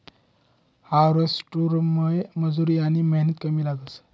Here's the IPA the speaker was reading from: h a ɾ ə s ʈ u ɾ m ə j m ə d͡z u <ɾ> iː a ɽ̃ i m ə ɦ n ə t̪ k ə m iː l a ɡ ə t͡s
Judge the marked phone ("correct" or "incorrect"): correct